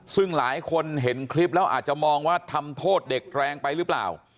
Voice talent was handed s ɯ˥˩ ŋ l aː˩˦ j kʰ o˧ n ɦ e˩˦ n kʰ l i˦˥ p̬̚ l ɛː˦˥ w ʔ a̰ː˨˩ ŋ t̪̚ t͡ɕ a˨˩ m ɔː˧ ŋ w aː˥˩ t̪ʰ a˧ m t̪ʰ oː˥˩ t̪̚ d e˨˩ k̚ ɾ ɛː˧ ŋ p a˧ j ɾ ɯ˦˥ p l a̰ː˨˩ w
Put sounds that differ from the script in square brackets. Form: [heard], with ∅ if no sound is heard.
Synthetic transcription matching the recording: s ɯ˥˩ ŋ l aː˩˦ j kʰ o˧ n ɦ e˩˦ n kʰ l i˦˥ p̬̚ l ɛː˦˥ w ʔ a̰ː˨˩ [∅] t̪̚ t͡ɕ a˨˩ m ɔː˧ ŋ w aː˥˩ t̪ʰ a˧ m t̪ʰ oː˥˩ t̪̚ d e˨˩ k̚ ɾ ɛː˧ ŋ p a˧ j ɾ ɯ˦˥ p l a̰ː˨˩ w